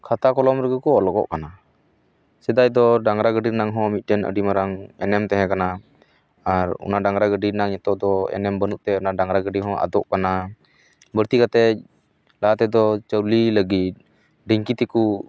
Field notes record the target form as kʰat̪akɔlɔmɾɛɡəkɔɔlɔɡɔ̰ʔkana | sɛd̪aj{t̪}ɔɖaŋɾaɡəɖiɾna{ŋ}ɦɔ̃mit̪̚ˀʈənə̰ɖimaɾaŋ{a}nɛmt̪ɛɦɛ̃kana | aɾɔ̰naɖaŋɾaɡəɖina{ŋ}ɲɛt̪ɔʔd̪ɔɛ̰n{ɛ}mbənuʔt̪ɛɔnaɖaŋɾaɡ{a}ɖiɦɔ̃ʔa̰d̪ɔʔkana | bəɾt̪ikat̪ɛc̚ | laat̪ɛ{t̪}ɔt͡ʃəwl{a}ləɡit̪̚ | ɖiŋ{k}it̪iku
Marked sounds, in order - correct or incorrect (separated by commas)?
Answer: incorrect, correct, incorrect, correct, correct, incorrect, incorrect, incorrect, correct